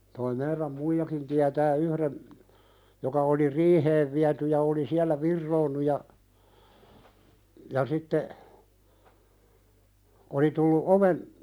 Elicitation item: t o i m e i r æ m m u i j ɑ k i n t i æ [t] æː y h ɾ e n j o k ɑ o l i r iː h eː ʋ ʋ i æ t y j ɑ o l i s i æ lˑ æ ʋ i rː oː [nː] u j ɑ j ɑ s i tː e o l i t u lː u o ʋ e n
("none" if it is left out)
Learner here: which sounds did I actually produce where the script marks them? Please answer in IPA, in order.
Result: t, nː

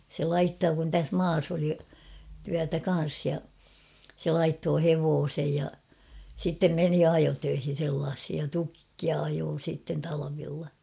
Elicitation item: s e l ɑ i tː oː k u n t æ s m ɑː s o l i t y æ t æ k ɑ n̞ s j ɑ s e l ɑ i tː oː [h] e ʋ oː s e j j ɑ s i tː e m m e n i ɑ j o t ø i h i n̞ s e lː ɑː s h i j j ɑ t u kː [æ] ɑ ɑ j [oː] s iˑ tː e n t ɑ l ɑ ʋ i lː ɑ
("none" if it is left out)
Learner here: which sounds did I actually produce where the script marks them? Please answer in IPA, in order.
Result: h, i, oː

